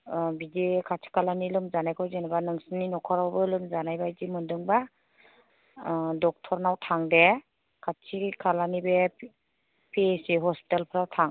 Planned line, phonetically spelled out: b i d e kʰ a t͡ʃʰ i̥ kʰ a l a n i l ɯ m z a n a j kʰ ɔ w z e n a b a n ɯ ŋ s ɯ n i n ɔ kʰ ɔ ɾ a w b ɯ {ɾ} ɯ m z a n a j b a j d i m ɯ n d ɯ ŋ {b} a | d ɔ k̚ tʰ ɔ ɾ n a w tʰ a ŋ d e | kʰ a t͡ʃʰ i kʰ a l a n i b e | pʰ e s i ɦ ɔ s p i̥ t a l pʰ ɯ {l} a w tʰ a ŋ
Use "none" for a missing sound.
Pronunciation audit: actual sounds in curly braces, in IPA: l, b, ɾ

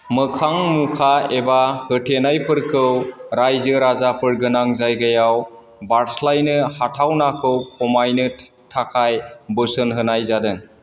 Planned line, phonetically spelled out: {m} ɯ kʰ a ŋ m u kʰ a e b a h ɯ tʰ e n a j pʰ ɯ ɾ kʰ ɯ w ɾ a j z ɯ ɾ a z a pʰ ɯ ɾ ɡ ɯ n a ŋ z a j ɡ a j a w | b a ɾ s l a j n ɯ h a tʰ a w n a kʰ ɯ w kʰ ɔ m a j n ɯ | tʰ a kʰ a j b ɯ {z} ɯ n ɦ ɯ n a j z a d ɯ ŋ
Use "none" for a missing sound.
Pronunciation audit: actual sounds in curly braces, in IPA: m, s

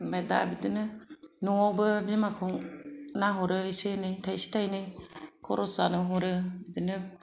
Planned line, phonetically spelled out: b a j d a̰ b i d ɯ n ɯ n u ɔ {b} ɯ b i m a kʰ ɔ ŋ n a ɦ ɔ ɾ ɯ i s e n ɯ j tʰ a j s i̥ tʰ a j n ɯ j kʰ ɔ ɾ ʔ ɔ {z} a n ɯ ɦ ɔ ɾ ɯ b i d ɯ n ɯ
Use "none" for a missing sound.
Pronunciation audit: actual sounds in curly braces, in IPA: b, s

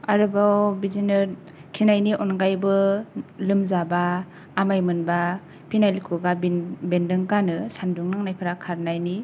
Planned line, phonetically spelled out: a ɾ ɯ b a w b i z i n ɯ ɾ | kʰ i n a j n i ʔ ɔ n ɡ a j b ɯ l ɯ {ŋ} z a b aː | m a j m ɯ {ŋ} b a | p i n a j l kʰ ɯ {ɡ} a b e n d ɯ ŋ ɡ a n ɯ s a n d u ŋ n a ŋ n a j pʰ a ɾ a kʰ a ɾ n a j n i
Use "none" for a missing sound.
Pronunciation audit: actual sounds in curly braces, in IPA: m, n, ɡ

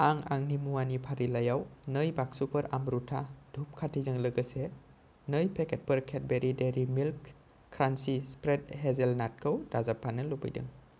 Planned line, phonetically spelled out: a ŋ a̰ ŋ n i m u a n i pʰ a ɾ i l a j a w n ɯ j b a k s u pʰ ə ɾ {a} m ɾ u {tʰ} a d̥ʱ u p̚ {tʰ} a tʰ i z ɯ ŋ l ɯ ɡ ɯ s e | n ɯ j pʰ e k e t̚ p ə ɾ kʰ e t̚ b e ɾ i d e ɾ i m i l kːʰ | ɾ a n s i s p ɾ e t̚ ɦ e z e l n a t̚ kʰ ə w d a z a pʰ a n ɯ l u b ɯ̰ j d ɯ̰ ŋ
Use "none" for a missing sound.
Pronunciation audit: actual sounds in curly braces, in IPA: a, tʰ, kʰ

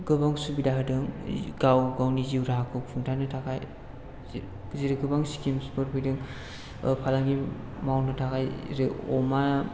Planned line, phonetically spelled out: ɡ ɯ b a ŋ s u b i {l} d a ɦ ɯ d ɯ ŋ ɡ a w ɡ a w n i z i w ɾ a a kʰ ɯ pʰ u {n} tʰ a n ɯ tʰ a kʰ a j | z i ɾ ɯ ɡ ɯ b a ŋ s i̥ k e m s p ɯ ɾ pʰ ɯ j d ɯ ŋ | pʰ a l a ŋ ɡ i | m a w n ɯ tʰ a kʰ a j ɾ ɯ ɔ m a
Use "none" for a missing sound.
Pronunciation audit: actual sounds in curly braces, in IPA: none, ŋ

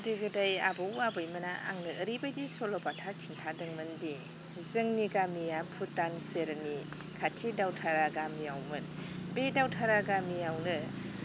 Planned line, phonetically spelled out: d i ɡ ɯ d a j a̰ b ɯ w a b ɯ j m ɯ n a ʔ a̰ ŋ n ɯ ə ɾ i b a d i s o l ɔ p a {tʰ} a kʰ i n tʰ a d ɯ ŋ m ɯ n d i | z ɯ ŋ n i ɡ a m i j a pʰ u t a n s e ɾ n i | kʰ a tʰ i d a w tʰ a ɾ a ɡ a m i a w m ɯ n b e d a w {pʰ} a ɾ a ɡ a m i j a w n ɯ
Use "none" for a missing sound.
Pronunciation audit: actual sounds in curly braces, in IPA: tʰ, tʰ

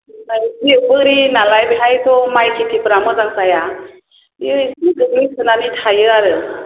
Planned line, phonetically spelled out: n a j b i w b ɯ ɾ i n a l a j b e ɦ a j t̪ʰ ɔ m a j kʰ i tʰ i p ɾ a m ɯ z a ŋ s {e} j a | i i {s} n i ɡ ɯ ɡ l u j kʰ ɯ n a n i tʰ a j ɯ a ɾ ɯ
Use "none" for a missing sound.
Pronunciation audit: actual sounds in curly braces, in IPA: a, s

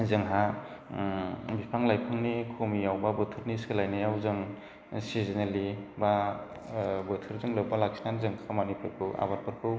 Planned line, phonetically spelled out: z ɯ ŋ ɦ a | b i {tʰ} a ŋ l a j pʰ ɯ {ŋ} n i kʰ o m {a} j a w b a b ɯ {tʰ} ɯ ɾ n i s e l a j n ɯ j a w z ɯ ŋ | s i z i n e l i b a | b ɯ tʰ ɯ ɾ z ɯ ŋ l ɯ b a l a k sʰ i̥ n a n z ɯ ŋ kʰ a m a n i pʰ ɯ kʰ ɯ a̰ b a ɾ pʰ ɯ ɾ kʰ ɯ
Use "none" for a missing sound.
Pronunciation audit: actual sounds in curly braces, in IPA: pʰ, ŋ, i, tʰ

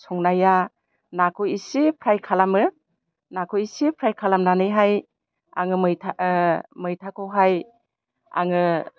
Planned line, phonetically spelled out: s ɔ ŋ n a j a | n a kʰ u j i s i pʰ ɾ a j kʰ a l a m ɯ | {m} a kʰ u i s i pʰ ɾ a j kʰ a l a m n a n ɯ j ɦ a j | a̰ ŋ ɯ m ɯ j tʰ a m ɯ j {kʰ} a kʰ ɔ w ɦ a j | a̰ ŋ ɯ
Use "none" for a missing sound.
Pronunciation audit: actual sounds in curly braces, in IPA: n, tʰ

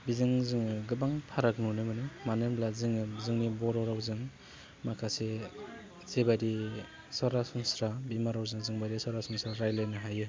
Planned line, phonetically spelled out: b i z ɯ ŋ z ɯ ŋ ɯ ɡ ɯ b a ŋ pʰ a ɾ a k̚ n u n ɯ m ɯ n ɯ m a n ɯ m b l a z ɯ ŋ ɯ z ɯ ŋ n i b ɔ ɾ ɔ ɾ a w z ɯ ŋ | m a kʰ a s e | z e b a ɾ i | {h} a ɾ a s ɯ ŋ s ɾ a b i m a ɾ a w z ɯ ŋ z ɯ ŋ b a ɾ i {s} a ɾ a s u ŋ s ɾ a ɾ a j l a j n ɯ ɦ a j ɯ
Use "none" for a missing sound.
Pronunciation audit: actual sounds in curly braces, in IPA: s, s

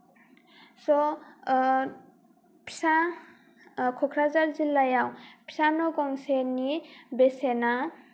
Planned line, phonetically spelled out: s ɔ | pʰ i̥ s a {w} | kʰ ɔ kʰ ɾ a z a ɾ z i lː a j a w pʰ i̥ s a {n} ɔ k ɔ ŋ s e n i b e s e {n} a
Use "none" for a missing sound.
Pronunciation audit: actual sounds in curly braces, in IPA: none, n, n

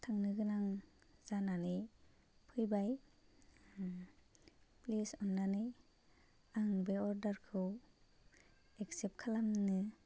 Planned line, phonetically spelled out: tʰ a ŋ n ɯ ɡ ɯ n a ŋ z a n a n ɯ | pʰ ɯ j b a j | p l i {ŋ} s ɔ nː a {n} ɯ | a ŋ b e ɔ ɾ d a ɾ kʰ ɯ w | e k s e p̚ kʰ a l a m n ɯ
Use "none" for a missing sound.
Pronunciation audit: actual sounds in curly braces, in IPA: none, n

